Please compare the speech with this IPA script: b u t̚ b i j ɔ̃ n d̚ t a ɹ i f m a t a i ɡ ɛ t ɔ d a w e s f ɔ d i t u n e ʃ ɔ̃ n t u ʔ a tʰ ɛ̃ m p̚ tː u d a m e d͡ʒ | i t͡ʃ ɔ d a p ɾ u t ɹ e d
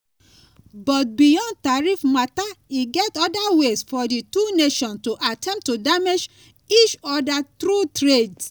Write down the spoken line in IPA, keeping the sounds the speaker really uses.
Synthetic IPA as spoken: b ɔ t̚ b i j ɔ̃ n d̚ t a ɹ i f m a t a i ɡ ɛ t ɔ d a w e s f ɔ d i t u n e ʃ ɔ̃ n t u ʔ a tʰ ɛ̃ m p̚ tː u d a m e d͡ʒ | i t͡ʃ ɔ d a t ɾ u t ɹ e d

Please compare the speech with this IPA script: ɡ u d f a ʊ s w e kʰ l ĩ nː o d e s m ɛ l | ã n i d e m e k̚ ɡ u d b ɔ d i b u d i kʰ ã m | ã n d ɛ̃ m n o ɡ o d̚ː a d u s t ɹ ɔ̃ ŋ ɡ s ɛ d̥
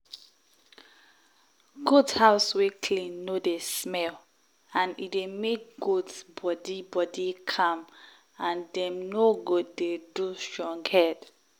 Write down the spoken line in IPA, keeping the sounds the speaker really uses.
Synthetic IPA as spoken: ɡ u d h a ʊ s w e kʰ l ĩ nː o d e s m ɛ l | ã n i d e m e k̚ ɡ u d b ɔ d i b ɔ d i kʰ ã m | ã n d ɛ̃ m n o ɡ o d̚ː e d u s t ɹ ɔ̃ ŋ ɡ h ɛ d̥

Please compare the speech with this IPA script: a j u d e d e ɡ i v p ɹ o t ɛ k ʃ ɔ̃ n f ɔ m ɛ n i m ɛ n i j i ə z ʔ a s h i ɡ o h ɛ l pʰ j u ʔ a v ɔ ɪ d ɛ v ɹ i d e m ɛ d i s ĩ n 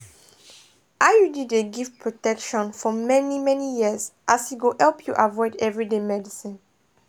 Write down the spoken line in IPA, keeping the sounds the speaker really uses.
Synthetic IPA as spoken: a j u d i d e ɡ i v p ɹ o t ɛ k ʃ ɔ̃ n f ɔ m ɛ n i m ɛ n i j i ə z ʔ a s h i ɡ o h ɛ l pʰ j u ʔ a v ɔ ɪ d ɛ v ɹ i d e m ɛ d i s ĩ n

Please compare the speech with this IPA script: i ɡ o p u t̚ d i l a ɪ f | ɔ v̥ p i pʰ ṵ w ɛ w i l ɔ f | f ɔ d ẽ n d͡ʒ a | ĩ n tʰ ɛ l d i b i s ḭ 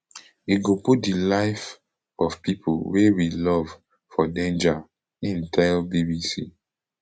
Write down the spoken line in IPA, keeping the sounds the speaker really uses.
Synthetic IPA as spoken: i ɡ o p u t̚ d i l a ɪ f | ɔ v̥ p i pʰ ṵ w e w i l ɔ v | f ɔ d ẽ n d͡ʒ a | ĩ n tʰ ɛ l b i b i s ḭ

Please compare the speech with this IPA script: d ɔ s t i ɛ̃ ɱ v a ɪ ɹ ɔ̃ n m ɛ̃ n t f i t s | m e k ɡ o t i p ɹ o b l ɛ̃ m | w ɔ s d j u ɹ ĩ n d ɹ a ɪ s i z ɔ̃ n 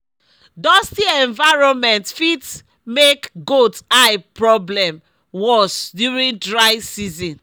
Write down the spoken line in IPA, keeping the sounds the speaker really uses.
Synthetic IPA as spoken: d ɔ s t i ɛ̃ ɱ v a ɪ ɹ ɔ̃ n m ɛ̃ n t f i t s | m e k ɡ o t a p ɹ ɔ b l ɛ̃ m | w ɔ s d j u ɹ ĩ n d ɹ a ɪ s i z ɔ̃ n

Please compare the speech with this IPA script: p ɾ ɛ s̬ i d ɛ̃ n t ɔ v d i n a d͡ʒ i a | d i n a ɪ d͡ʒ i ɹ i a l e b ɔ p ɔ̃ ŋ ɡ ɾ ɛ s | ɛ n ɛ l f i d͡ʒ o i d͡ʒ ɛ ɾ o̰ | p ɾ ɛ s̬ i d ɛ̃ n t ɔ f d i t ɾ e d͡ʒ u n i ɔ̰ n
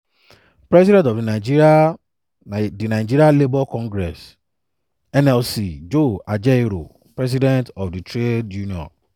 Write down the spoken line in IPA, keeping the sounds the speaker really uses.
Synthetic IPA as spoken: p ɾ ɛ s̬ i d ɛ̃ n t ɔ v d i n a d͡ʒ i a | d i n a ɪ d͡ʒ i ɾ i a l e b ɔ k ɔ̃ ŋ ɡ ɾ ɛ s | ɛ n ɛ l s i d͡ʒ o a d͡ʒ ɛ ɾ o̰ | p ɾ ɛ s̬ i d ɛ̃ n t ɔ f d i t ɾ e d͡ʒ u n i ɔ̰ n

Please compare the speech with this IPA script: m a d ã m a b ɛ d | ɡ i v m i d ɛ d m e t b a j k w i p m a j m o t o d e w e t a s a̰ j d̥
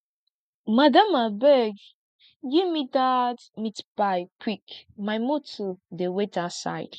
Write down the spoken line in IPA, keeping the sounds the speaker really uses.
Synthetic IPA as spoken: m a d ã m a b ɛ ɡ | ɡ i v m i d a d m i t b a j k w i k m a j m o t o d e w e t a s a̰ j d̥

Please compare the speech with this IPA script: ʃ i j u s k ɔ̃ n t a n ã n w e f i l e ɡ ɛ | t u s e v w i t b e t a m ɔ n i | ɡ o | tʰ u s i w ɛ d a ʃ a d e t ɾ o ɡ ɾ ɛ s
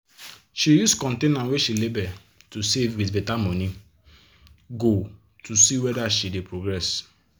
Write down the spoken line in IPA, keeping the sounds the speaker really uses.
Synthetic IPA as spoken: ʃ i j u s k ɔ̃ n t e n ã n w e ʃ i l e b ɛ | t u s e v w i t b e t a m ɔ n i | ɡ o | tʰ u s i w ɛ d a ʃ i d e p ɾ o ɡ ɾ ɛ s

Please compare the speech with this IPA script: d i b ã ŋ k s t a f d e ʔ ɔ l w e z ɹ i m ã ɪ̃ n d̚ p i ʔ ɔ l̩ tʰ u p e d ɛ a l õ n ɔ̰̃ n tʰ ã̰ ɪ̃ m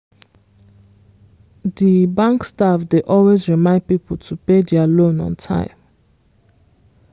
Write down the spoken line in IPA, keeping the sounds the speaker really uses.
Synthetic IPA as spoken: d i b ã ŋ k s t a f d e ʔ ɔ l w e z ɹ i m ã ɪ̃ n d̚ p i p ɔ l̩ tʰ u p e d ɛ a l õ n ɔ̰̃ n tʰ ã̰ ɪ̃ m

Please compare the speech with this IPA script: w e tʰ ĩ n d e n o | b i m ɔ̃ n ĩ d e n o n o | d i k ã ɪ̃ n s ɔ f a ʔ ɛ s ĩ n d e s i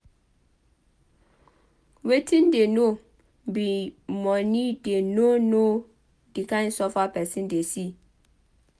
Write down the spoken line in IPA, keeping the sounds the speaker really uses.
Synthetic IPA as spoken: w e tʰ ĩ n d e n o | b i m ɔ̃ n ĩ d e n o n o | d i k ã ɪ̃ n s ɔ f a p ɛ s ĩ n d e s i

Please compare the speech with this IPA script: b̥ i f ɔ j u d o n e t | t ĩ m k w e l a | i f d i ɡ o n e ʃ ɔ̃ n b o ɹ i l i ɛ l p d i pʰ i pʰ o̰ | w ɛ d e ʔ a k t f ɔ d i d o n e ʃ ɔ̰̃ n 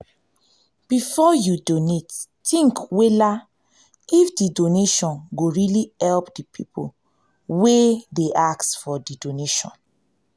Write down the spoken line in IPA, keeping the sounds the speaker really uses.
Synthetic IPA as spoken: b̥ i f ɔ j u d o n e t | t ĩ ŋ k w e l a | i f d i d o n e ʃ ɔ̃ n ɡ o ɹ i l i ɛ l p d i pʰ i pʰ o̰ | w e d e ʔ a k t f ɔ d i d o n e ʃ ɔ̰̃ n

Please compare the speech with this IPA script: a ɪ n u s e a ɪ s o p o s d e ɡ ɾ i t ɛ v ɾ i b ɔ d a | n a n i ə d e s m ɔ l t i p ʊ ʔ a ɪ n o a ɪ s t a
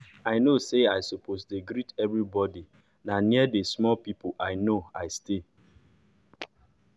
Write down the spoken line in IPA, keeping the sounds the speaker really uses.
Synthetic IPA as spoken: a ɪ n o s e a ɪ s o p o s d e ɡ ɾ i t ɛ v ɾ i b ɔ d i | n a n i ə d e s m ɔ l p i p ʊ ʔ a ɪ n o a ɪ s t e

